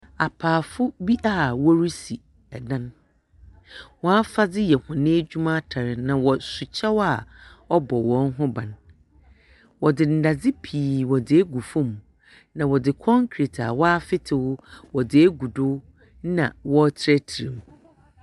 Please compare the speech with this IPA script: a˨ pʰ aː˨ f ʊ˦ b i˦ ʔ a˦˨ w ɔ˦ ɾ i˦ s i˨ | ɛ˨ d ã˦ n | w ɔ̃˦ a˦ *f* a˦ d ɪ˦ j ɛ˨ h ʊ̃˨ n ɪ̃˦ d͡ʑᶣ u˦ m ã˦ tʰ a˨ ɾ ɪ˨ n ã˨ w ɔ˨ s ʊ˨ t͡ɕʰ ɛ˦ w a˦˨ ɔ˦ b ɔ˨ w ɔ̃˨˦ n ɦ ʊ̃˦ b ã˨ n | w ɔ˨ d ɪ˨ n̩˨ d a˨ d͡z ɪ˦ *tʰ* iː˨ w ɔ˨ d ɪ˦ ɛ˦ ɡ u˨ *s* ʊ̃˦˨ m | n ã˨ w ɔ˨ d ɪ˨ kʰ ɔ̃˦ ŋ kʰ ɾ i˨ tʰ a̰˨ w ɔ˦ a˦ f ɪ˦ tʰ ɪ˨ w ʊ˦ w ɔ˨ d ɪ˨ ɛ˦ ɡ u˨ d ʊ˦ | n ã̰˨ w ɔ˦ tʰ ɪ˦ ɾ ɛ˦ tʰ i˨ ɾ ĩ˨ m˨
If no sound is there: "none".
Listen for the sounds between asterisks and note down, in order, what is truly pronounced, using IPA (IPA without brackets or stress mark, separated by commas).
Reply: f, pʰ, f